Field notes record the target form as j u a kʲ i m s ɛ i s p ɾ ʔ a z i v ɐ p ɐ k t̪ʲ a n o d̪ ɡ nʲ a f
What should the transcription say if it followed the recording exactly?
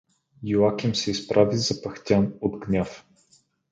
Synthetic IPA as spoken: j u a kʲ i m s ɛ i s p ɾ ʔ a v i z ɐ p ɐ x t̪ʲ a n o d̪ ɡ nʲ a f